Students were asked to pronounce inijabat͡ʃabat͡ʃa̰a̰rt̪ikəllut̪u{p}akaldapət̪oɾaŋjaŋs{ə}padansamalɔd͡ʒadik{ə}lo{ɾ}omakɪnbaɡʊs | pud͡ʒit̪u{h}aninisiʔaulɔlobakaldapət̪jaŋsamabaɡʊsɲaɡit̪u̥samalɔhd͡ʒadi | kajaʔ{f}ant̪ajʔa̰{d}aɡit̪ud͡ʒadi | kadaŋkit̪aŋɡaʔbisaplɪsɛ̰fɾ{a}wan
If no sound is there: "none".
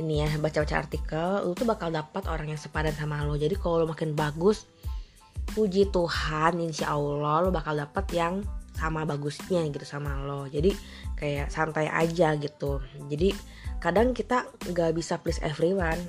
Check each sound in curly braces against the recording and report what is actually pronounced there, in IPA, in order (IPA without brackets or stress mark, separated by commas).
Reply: b, ə, a, l, h, s, d͡ʒ, i